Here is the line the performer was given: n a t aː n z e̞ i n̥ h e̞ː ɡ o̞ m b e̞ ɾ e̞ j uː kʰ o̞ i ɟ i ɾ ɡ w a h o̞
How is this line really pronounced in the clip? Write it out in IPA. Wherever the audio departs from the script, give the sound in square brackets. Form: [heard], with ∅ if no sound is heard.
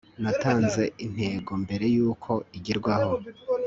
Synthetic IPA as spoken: n a t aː n z e̞ i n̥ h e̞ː ɡ o̞ m b e̞ ɾ e̞ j uː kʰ o̞ i ɟ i ɾ ɡ w a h o̞